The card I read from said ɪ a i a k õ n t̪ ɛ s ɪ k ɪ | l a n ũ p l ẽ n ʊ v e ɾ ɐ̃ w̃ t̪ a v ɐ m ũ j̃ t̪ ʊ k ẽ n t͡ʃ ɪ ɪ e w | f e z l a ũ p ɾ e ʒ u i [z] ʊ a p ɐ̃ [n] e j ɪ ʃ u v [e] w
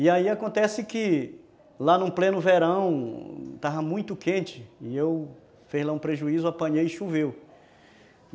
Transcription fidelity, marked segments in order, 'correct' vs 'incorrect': correct, incorrect: ɲ, correct

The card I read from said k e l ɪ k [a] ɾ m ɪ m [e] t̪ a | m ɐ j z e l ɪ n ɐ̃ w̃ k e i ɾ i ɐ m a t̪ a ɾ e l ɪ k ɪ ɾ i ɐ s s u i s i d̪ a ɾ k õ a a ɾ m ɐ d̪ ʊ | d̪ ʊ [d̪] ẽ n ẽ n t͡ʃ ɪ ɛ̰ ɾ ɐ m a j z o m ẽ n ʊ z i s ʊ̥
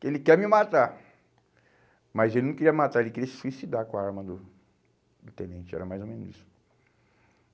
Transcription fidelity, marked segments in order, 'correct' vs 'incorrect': incorrect: ɛ, incorrect: a, incorrect: t̪

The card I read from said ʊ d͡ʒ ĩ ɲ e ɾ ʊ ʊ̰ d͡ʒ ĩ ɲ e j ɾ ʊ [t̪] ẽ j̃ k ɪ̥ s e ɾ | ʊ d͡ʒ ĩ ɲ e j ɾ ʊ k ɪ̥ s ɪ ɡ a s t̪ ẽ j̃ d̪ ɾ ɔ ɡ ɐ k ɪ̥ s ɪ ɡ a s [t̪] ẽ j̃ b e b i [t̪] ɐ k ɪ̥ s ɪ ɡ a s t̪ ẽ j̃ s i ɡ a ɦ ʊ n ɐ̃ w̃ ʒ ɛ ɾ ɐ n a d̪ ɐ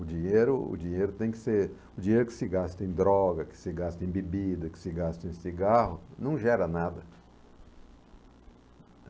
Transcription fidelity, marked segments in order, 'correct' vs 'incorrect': correct, correct, incorrect: d̪

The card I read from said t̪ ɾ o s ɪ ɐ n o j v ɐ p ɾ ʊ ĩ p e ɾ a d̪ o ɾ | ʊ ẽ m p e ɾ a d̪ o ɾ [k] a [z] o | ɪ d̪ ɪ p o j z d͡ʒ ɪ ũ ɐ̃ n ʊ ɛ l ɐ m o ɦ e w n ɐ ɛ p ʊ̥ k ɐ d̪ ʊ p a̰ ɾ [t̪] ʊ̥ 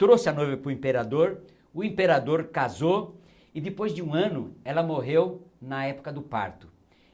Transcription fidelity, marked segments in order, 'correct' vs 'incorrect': correct, correct, correct

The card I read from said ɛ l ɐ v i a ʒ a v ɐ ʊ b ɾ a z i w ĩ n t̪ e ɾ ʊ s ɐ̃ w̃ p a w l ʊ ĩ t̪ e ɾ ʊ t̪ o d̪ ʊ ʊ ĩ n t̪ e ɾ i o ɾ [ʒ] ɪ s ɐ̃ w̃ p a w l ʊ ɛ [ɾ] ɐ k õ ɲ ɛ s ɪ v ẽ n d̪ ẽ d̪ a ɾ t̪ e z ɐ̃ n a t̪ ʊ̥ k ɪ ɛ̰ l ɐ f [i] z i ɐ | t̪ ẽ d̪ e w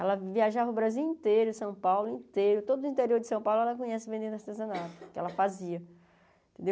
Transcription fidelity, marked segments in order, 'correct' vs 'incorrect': incorrect: d͡ʒ, incorrect: l, incorrect: a

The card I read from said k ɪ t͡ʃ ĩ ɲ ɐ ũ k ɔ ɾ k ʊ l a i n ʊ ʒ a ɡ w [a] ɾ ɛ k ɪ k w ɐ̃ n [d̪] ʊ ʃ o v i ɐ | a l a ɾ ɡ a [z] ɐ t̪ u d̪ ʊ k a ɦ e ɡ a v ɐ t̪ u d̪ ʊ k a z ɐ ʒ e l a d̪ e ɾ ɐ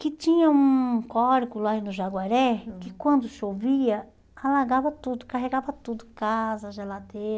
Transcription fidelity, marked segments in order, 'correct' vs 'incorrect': correct, correct, incorrect: v

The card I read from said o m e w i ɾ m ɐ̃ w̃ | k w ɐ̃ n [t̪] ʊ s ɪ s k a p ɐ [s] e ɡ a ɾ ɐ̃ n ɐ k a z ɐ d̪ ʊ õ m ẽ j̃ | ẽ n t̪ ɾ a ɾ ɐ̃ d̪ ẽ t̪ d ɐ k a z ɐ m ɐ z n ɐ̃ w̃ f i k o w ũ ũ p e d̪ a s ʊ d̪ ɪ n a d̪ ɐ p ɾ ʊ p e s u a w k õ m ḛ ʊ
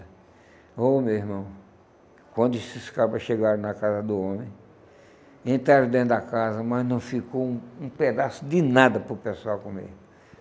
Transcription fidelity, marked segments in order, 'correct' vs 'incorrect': incorrect: d̪, incorrect: ʃ

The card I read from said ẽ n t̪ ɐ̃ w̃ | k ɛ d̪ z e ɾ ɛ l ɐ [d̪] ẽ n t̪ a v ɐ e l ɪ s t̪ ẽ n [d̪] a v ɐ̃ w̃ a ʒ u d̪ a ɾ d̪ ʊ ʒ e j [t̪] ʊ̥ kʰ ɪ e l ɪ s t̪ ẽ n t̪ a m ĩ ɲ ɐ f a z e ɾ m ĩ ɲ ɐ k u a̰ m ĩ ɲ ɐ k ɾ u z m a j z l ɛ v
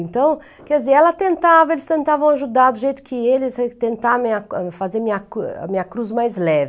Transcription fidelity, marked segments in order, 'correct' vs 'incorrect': incorrect: t̪, incorrect: t̪, correct

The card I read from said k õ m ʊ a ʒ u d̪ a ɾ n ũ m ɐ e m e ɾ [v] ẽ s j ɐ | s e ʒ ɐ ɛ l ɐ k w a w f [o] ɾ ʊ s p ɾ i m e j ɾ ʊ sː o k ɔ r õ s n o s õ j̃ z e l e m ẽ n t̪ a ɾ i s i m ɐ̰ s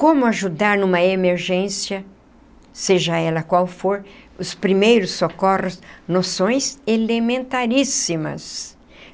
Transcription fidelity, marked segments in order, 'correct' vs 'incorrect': incorrect: ʒ, correct

